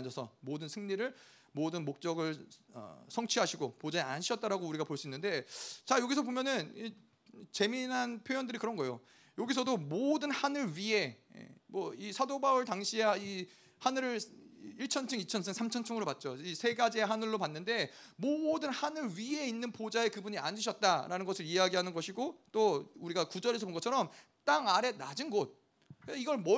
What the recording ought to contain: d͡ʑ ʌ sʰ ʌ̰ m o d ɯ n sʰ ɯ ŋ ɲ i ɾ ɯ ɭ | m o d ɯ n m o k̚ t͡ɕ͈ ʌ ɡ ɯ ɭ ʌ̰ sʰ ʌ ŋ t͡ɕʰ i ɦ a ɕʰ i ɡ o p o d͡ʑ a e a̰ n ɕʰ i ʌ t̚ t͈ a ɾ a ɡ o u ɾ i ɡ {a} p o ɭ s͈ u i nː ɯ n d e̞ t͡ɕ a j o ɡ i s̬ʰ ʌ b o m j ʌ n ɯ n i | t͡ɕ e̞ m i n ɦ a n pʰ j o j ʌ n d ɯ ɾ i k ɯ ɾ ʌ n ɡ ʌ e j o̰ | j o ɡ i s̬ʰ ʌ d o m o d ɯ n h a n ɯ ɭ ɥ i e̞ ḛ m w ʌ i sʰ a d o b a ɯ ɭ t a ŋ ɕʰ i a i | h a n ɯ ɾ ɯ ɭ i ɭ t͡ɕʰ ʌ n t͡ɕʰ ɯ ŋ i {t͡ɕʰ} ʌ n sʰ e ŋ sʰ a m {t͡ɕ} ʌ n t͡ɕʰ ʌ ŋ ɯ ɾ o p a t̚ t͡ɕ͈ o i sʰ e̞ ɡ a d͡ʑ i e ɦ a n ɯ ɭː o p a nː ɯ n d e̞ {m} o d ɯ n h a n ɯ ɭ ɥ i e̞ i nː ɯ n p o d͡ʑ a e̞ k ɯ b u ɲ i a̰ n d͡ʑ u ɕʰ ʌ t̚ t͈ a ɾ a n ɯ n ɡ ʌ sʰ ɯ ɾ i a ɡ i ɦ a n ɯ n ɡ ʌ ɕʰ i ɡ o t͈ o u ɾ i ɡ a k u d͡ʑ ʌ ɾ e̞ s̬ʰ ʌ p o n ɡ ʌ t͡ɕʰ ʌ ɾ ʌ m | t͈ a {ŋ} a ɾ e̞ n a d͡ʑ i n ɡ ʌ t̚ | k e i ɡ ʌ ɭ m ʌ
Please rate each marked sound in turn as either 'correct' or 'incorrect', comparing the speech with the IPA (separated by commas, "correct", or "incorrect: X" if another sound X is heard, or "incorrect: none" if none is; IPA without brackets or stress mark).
correct, correct, incorrect: t͡ɕʰ, correct, correct